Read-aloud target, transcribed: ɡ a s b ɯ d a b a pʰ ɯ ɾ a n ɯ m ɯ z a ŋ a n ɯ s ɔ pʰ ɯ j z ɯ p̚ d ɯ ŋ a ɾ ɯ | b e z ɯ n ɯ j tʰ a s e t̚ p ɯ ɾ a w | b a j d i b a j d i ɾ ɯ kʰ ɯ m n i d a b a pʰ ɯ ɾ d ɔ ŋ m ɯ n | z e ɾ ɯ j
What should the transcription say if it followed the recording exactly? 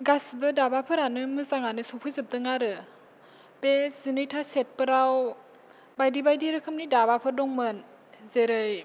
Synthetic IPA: ɡ a s b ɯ d a b a pʰ ɯ ɾ a n ɯ m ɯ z a ŋ a n ɯ s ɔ pʰ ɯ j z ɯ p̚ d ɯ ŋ a ɾ ɯ | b e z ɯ n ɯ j tʰ a s e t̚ p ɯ ɾ a w | b a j d i b a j d i ɾ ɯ kʰ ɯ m n i d a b a pʰ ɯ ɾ d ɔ ŋ m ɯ n | z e ɾ ɯ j